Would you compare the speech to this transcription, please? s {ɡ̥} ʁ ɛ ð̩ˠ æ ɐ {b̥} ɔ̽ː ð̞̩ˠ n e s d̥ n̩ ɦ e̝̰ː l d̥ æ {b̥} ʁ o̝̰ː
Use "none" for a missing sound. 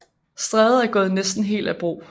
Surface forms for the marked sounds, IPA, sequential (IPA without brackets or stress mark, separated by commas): d̥, ɡ̥, b̥